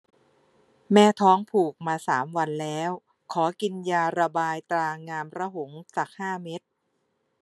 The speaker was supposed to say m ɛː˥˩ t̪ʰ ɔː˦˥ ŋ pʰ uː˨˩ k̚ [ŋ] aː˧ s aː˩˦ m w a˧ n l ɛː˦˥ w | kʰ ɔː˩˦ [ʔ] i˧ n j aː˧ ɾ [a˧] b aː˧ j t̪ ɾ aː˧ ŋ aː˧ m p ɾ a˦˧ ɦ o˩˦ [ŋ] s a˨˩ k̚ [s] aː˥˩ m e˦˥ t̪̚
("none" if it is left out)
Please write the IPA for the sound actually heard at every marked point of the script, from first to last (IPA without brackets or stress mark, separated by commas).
m, k, a˧, ŋ, h